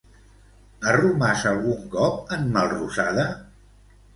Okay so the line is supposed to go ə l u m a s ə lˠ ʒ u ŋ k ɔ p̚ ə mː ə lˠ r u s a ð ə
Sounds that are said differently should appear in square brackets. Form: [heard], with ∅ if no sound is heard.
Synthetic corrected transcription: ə [r] u m a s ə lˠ [ɣ] u ŋ k ɔ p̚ ə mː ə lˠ r u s a ð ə